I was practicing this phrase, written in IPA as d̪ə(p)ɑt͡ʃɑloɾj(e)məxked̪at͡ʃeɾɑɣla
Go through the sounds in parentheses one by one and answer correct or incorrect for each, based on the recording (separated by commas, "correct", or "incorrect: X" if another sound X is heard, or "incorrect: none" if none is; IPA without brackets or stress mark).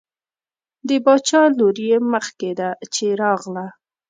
incorrect: b, correct